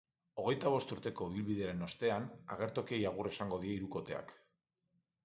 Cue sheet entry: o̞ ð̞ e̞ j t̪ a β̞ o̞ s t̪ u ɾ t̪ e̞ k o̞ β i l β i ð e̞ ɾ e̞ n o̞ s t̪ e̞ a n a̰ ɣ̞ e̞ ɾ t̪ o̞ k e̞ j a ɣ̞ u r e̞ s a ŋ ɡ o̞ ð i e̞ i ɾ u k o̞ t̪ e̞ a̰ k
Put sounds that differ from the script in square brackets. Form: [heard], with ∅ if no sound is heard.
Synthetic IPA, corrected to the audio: o̞ [ɣ̞] e̞ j t̪ a β̞ o̞ s t̪ u ɾ t̪ e̞ k o̞ β i l β i ð e̞ ɾ e̞ n o̞ s t̪ e̞ a n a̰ ɣ̞ e̞ ɾ t̪ o̞ k e̞ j a ɣ̞ u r e̞ s a ŋ ɡ o̞ ð i e̞ i ɾ u k o̞ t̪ e̞ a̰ k